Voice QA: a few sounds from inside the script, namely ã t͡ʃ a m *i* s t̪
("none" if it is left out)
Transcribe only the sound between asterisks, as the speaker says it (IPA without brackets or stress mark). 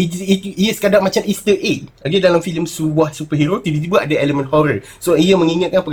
i